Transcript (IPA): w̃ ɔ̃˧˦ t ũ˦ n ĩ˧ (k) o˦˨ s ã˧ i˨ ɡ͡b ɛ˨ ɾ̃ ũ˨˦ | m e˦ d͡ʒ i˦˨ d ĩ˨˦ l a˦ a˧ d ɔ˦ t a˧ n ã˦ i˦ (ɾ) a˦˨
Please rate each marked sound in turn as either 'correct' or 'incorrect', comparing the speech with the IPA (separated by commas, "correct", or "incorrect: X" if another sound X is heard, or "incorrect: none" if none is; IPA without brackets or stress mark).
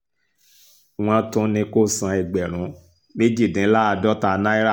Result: correct, correct